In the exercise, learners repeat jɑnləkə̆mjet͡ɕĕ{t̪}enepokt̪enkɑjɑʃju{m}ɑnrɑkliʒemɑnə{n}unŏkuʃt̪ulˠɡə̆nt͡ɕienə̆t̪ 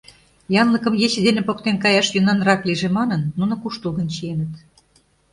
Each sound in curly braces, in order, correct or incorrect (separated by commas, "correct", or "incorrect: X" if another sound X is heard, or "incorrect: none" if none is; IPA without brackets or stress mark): incorrect: d̪, incorrect: n, incorrect: nː